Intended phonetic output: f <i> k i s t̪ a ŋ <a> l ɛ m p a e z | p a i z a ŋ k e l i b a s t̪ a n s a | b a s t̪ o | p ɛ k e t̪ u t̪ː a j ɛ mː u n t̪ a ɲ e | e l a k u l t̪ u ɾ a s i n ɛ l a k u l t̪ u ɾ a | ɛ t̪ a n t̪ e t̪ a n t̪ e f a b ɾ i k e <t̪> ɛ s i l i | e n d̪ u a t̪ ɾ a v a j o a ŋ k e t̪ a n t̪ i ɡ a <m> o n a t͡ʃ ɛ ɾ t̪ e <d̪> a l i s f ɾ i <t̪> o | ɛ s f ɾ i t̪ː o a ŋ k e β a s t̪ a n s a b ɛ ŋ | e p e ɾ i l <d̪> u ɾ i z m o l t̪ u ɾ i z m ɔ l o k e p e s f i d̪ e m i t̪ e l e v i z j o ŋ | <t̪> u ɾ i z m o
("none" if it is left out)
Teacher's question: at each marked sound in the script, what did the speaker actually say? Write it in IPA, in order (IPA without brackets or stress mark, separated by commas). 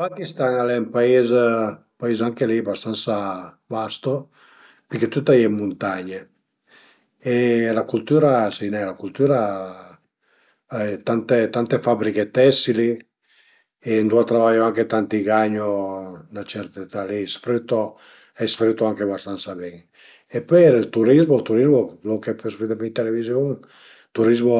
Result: a, a, t̪, ɲ, t̪, t̪, t̪, t̪